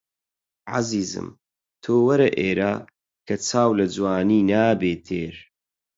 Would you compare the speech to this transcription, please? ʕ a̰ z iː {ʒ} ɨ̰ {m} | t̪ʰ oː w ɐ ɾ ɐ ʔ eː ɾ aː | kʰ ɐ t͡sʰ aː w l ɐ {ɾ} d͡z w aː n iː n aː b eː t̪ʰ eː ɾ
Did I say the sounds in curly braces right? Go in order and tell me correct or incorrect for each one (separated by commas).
incorrect, correct, incorrect